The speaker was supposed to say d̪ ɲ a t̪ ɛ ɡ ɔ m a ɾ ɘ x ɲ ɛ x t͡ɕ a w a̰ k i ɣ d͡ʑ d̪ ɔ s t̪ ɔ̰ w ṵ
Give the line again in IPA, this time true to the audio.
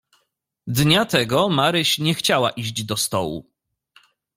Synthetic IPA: d̪ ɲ a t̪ ɛ ɡ ɔ m a ɾ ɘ ɕ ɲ ɛ x t͡ɕ a w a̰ ʔ i ʑ d͡ʑ d̪ ɔ s t̪ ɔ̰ w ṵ